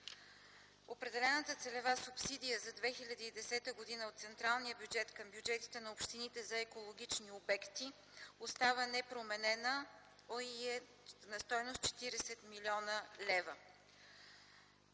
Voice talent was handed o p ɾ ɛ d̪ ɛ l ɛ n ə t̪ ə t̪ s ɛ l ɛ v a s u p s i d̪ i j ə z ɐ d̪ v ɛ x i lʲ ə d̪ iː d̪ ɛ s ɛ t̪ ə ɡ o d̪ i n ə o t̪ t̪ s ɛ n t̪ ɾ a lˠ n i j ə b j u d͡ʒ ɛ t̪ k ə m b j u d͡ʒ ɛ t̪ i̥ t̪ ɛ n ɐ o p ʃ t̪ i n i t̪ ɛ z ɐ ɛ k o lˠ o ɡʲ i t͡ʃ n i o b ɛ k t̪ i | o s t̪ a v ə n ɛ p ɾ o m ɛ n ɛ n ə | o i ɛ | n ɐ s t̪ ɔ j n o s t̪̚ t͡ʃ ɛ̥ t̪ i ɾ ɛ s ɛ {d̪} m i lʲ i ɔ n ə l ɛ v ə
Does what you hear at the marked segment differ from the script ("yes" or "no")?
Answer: yes